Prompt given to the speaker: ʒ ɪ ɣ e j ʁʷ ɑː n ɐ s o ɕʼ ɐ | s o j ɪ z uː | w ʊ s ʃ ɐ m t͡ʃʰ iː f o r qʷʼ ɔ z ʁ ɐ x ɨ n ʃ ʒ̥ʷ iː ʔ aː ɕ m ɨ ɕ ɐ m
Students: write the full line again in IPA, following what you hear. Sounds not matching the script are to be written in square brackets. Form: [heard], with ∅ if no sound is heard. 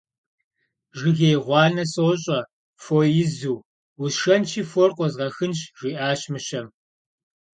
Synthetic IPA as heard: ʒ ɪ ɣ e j ʁʷ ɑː n ɐ s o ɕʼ ɐ | [f] o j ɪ z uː | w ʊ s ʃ ɐ [n] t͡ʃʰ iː f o r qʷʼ ɔ z ʁ ɐ x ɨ n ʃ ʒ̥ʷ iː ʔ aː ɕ m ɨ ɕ ɐ m